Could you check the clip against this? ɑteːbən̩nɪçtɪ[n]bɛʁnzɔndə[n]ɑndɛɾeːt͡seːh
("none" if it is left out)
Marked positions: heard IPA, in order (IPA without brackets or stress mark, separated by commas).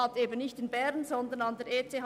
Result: n, n